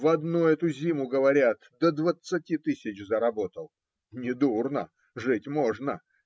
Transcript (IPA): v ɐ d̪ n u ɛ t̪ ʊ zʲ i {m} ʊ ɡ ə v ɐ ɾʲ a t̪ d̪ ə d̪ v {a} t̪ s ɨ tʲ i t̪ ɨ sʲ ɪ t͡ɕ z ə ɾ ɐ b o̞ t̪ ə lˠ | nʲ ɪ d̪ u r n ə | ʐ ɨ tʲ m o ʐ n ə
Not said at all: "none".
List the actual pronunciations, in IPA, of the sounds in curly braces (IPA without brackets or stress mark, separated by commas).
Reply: m, ə